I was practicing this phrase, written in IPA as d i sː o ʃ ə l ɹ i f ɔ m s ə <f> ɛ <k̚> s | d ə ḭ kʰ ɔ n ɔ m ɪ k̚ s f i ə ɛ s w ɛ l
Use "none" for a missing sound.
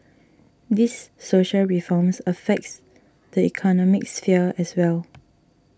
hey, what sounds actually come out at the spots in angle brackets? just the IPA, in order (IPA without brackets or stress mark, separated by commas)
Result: f, k̚